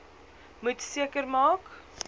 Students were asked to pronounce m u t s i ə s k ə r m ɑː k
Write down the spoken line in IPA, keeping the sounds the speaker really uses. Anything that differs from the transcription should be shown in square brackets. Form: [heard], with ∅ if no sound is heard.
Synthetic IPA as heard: m u t s i ə [∅] k ə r m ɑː k